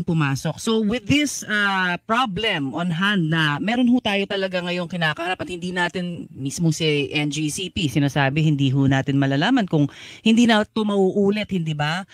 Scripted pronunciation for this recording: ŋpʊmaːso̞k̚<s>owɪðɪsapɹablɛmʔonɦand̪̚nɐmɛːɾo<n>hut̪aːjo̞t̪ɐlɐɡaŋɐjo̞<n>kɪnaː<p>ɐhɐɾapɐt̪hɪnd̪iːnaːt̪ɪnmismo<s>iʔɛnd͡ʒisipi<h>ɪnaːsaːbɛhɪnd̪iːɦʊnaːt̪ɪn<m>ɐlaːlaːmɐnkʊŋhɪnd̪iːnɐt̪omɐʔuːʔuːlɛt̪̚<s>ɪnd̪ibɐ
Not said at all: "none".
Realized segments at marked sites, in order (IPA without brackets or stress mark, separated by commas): s, n, ŋ, k, s, s, m, h